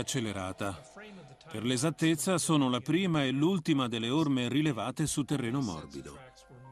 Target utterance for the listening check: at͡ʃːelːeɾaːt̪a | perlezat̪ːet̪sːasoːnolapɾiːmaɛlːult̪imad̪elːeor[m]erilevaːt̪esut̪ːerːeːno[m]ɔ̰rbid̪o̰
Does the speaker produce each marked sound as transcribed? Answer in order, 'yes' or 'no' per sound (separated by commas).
yes, yes